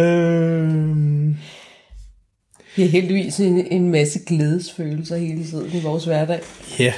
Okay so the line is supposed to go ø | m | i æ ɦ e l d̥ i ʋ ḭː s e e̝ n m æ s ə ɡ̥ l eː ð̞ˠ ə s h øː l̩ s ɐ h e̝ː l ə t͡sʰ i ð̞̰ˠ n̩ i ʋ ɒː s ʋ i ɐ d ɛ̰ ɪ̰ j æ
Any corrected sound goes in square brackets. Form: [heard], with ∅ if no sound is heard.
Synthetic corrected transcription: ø | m | i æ ɦ e l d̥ i ʋ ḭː s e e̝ n m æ s ə ɡ̥ l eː ð̞ˠ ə s [f] øː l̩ s ɐ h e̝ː l ə t͡sʰ i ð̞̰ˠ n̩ i ʋ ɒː s ʋ [æ] ɐ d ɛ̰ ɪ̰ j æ